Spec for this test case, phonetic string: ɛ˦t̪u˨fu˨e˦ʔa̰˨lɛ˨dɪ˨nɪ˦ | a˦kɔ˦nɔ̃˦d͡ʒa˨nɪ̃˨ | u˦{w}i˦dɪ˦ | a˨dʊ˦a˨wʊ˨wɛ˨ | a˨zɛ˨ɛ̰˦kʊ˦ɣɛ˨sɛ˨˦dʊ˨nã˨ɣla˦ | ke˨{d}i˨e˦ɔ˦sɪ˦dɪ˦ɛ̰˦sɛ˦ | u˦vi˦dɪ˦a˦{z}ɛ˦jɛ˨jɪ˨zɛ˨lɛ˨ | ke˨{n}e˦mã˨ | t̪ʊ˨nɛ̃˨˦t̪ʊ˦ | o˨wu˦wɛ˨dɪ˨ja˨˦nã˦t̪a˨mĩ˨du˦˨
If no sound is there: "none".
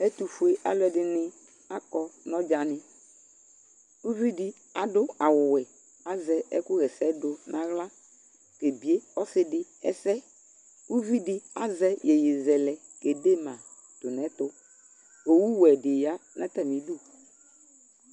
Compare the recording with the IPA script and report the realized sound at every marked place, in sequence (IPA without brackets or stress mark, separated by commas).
v, b, z, d